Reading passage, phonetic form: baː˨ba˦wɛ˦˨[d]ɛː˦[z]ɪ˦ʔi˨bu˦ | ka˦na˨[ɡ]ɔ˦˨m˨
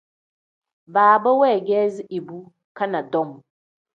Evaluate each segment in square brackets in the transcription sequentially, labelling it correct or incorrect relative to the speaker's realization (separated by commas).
incorrect, correct, incorrect